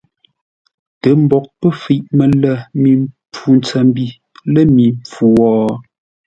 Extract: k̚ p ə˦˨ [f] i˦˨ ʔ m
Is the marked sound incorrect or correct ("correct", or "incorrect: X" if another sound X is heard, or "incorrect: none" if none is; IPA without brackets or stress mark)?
correct